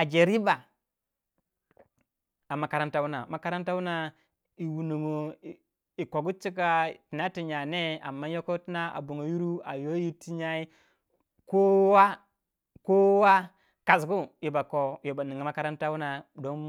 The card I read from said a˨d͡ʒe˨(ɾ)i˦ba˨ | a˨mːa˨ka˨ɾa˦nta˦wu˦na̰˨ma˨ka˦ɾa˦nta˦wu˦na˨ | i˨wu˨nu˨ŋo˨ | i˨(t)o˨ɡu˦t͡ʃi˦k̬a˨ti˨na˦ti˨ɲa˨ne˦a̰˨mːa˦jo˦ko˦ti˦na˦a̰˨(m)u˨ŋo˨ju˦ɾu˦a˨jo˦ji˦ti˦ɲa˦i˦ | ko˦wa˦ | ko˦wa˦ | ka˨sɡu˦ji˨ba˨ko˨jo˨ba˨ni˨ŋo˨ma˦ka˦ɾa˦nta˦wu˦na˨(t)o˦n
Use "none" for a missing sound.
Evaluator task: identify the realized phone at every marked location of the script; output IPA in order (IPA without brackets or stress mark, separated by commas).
ɾ, k, b, d